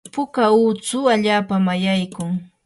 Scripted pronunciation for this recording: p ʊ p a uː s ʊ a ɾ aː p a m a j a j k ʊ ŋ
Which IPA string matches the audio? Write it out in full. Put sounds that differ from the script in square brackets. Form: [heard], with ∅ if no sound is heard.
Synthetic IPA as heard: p ʊ [k] a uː [t͡s] ʊ a [ʎ] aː p a m a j a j k ʊ ŋ